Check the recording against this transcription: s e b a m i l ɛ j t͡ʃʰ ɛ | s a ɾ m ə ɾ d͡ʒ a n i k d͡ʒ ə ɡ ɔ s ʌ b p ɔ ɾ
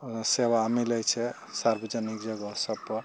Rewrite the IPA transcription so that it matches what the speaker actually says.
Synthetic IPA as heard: s e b a m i l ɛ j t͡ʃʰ ɛ | s a ɾ b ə d͡ʒ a n i k d͡ʒ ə ɡ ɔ s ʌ b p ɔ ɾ